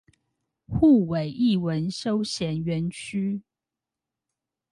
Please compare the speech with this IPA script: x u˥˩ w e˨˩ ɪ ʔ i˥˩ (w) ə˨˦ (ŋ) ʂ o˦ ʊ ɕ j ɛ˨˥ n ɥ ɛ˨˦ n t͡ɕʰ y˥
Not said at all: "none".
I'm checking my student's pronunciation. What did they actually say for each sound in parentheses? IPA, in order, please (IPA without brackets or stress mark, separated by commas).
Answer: w, n